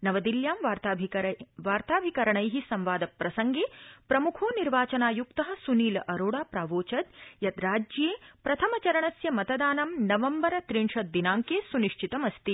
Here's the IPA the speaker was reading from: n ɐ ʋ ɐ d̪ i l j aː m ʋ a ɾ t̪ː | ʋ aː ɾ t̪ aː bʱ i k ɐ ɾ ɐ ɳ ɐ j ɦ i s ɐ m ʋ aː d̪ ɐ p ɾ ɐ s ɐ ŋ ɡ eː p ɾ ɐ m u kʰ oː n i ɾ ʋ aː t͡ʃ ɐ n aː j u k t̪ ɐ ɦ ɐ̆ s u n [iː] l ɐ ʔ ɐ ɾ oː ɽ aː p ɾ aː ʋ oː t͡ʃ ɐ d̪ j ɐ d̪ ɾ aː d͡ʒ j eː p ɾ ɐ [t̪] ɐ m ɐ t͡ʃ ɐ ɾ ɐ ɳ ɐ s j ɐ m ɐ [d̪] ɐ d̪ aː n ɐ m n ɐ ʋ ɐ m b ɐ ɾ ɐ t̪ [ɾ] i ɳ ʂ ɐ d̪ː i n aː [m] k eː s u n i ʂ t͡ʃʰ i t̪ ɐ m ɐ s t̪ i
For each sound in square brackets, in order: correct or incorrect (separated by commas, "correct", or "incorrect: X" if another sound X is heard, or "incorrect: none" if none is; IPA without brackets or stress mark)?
correct, incorrect: t̪ʰ, incorrect: t̪, correct, incorrect: ŋ